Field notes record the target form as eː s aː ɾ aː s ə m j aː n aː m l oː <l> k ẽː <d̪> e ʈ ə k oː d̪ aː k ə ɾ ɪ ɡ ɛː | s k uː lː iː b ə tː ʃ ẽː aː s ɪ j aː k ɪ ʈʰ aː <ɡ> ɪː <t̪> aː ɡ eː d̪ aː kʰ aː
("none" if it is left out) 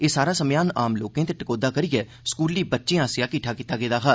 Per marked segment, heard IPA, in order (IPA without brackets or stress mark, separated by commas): none, t̪, k, t̪